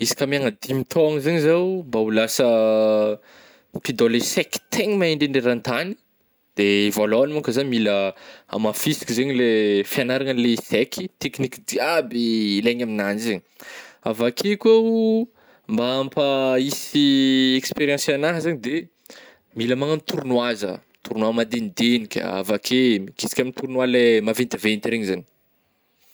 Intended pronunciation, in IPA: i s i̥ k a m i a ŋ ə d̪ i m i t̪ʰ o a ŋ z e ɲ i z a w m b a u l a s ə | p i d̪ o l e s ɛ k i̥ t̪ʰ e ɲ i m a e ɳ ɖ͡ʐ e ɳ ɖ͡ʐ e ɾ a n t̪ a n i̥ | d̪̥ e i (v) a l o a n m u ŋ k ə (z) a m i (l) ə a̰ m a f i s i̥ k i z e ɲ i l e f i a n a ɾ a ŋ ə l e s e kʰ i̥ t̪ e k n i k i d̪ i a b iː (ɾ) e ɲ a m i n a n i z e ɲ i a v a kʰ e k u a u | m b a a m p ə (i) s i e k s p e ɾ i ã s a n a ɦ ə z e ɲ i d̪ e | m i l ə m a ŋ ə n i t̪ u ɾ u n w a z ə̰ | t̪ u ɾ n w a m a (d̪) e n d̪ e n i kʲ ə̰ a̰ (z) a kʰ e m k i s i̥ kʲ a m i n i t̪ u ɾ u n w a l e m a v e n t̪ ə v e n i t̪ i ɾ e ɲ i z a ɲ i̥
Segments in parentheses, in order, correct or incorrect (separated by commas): correct, correct, correct, incorrect, correct, correct, incorrect